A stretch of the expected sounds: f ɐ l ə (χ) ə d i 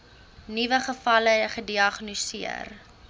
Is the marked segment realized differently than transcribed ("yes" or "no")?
no